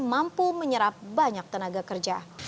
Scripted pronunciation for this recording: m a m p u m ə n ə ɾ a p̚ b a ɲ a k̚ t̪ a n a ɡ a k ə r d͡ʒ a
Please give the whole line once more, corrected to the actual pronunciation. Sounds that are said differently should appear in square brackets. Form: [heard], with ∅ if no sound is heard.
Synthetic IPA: m a m p u m ə [ɲ] ə ɾ a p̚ b a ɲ a k̚ t̪ [ə] n a ɡ a k ə r d͡ʒ a